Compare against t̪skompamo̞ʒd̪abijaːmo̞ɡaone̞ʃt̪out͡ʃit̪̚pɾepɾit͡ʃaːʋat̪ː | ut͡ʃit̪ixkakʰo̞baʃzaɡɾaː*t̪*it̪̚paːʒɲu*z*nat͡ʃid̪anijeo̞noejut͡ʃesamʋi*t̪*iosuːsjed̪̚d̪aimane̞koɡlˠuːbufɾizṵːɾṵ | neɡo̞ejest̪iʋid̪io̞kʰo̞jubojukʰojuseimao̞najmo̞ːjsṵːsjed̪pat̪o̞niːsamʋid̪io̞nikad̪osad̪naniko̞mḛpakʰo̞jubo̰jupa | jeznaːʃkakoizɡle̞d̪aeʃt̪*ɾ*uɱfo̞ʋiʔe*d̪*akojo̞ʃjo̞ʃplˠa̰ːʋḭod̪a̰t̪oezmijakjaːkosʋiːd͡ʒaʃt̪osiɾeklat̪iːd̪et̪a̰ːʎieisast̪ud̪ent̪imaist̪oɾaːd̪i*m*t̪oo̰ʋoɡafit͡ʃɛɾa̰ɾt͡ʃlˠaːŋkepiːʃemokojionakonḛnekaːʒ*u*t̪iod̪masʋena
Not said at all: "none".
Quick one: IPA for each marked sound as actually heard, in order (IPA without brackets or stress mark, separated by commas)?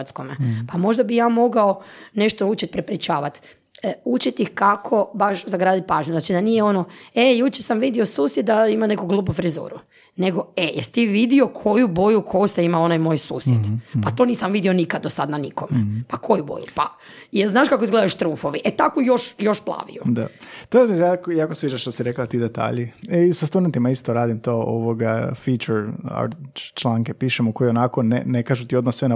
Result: d̪, z, d̪, ɾ, t̪, m, u